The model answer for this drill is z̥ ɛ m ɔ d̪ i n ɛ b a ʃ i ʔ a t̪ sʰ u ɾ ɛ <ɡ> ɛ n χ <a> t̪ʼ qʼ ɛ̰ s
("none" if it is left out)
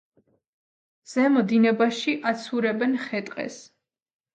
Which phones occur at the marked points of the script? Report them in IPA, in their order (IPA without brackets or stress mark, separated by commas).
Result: b, ɛ